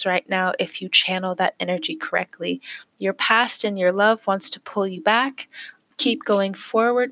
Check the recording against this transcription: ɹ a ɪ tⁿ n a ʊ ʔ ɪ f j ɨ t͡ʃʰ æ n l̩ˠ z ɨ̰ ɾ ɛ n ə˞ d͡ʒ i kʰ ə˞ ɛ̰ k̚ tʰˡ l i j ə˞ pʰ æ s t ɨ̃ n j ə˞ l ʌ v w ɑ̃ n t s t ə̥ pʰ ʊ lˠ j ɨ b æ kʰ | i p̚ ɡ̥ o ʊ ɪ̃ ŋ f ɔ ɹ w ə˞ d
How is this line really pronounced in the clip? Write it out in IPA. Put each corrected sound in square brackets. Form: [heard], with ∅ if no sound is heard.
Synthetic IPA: ɹ a ɪ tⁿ n a ʊ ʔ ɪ f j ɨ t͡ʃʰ æ n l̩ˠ [ð] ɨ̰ ɾ ɛ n ə˞ d͡ʒ i kʰ ə˞ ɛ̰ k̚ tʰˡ l i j ə˞ pʰ æ s t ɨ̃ n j ə˞ l ʌ v w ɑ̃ n t s [tʰ] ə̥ pʰ ʊ lˠ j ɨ b æ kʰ | i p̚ ɡ̥ o ʊ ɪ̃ ŋ f ɔ ɹ w ə˞ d